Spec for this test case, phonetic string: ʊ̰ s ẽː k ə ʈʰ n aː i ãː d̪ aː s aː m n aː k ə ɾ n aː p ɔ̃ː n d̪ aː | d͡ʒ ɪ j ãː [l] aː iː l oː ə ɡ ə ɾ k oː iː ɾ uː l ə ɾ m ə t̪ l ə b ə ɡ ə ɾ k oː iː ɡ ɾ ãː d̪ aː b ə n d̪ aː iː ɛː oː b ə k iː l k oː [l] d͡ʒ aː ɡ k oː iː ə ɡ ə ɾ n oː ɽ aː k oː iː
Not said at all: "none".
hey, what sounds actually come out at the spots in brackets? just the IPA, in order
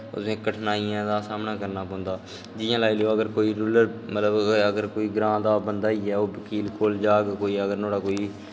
l, l

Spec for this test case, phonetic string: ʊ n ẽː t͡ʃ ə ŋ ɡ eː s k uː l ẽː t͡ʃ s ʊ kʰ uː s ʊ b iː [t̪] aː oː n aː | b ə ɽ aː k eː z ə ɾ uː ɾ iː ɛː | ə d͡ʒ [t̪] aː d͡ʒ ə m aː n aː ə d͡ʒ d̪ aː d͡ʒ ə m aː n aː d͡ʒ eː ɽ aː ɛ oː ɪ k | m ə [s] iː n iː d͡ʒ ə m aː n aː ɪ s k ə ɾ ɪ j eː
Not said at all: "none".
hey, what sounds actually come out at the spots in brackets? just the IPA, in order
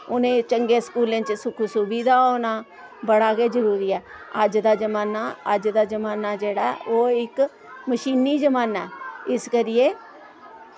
d̪, d̪, ʃ

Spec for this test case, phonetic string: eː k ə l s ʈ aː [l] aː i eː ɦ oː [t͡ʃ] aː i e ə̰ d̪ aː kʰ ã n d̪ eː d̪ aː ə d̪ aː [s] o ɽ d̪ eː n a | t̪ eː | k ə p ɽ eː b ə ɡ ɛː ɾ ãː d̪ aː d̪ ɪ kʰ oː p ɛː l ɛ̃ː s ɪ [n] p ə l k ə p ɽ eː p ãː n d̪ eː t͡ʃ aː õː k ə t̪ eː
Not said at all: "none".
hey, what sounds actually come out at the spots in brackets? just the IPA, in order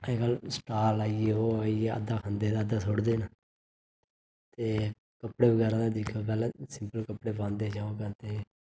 l, none, s, m

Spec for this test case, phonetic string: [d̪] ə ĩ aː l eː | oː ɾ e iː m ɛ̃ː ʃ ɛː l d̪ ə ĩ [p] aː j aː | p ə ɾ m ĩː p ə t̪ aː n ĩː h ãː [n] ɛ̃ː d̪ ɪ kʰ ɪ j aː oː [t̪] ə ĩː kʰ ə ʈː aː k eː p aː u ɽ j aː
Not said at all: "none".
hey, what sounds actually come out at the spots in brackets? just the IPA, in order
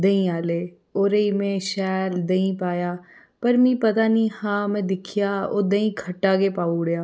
d̪, p, m, d̪

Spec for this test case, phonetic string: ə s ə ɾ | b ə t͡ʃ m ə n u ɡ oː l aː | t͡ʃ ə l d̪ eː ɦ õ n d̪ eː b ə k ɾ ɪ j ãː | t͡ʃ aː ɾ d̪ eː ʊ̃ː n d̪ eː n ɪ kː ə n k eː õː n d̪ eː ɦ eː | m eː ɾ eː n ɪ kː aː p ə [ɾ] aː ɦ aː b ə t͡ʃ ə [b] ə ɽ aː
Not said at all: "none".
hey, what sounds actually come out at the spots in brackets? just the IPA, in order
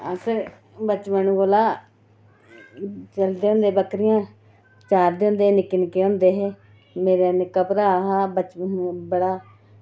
ɾ, b

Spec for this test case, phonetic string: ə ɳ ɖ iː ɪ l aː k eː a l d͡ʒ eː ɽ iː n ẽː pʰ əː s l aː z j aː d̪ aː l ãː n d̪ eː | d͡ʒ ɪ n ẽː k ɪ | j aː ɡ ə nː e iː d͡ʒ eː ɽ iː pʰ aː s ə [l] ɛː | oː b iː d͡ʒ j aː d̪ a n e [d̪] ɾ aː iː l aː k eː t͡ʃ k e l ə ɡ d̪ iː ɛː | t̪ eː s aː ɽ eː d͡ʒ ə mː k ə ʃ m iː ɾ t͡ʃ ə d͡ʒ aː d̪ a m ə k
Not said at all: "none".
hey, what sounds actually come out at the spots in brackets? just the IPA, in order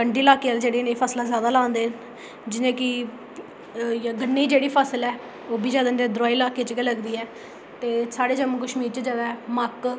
l, d̪

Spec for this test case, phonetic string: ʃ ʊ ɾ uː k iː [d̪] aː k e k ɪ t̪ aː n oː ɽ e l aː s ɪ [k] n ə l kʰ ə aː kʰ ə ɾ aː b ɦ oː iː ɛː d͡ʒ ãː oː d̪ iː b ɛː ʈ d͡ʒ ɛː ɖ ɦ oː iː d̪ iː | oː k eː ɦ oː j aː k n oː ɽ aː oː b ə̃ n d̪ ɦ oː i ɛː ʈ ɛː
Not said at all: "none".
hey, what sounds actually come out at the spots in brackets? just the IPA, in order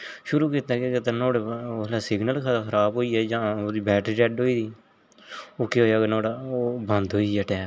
t̪, ɡ

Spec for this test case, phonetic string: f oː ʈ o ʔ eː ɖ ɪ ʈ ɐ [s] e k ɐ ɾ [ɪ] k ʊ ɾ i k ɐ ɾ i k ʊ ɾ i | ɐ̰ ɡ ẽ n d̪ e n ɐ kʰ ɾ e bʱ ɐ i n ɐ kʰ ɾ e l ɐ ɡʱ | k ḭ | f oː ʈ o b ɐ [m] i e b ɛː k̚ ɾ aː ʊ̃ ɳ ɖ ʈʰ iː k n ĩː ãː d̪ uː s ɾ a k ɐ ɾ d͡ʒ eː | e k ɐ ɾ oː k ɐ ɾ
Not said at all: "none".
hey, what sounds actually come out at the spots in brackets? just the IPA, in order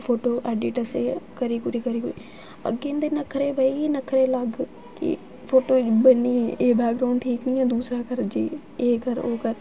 s, i, n

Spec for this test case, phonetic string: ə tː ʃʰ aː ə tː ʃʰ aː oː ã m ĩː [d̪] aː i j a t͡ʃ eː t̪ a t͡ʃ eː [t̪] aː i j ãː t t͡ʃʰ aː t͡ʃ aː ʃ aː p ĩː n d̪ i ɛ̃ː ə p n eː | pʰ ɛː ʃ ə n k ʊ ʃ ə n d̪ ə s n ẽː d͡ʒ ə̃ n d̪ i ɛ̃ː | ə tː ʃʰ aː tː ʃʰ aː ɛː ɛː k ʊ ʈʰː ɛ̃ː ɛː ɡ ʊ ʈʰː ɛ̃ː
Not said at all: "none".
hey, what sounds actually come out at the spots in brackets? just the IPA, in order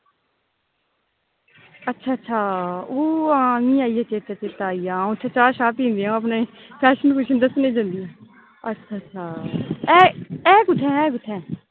none, t̪

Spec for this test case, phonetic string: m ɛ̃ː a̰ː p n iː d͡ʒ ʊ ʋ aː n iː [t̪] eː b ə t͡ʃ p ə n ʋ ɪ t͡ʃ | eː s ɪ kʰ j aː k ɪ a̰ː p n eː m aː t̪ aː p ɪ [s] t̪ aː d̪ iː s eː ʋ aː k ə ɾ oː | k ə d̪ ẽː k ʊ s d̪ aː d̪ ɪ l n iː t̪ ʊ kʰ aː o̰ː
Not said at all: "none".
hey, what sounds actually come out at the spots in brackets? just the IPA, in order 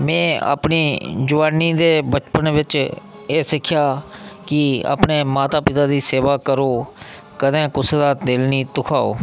d̪, none

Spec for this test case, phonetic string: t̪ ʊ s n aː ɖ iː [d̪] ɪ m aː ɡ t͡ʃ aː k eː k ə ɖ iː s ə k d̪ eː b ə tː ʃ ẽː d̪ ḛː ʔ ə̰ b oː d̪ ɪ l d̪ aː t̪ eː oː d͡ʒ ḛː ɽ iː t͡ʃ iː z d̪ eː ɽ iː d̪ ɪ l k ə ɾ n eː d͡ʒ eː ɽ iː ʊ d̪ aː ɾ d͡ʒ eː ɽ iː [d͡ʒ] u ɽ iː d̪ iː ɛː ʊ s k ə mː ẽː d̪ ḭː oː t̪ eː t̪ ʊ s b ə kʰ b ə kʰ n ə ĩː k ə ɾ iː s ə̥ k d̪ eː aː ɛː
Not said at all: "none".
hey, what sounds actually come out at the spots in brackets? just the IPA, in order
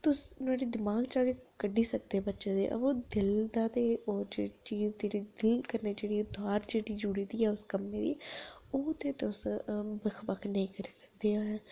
d̪, d͡ʒ

